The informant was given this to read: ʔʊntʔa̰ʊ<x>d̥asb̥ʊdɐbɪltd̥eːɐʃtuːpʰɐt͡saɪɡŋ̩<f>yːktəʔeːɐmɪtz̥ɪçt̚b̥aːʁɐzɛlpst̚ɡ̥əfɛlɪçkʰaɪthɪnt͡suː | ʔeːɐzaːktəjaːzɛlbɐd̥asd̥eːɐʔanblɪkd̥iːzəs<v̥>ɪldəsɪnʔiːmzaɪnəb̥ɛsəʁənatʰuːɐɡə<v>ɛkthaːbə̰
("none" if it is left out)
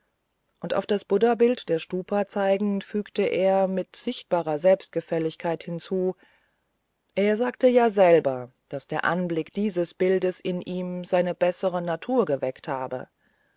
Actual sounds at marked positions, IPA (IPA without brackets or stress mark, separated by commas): f, f, b̥, v